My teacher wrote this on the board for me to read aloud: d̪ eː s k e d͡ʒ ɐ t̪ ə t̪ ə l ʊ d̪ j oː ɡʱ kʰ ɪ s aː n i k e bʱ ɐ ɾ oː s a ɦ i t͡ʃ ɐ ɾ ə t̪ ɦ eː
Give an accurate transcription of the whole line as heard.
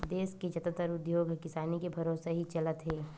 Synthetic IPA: d̪ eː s k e d͡ʒ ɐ t̪ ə t̪ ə ɾ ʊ d̪ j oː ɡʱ k ɪ s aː n i k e bʱ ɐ ɾ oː s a ɦ i t͡ʃ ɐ l ə t̪ ɦ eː